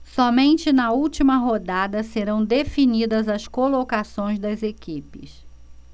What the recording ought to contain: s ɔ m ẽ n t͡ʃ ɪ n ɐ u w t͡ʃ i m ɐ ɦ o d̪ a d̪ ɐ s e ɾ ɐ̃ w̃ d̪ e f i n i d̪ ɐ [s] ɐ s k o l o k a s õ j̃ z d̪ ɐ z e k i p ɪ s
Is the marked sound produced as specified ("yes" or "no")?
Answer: no